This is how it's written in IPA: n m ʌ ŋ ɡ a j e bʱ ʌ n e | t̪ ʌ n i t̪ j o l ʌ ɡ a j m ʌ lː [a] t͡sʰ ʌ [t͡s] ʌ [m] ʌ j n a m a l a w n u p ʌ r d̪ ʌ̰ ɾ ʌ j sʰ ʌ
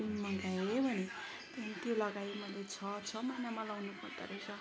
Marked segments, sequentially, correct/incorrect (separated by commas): incorrect, incorrect, correct